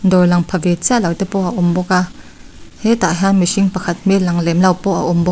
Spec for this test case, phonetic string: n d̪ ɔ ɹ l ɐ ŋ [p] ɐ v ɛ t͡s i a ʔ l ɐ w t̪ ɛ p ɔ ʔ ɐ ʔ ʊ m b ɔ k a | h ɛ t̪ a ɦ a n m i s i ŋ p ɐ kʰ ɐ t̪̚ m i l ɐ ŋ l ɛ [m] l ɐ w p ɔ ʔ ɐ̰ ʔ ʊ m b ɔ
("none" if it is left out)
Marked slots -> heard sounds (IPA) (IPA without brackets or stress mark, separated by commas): pʰ, m